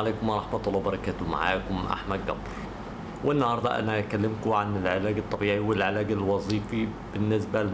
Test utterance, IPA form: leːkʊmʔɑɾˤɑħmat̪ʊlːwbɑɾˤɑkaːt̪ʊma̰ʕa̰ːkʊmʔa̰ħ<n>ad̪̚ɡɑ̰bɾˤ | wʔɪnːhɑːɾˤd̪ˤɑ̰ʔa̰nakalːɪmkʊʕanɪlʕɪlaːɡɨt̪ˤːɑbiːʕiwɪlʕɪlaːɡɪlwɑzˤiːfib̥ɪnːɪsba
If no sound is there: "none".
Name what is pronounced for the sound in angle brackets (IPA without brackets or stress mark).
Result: m